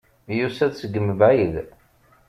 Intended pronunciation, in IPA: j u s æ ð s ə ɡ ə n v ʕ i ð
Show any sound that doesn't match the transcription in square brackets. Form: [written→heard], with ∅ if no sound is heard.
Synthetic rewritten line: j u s æ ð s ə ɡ ə [n→m] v ʕ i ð